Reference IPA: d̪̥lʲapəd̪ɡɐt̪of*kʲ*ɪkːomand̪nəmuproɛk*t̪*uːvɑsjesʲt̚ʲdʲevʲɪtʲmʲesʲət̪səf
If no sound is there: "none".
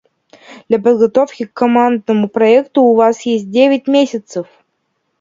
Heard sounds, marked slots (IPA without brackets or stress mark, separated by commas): kʲ, t̪